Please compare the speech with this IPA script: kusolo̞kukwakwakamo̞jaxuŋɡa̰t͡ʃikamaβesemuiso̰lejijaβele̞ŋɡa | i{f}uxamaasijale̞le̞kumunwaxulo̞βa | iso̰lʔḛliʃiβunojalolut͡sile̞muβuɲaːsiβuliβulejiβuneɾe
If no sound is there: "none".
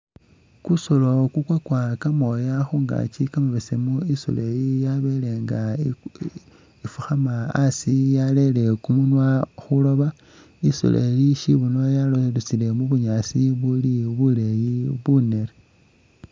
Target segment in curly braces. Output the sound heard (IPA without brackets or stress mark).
f